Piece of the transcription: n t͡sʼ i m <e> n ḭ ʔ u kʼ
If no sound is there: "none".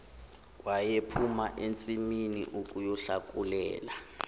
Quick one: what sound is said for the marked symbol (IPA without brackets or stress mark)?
i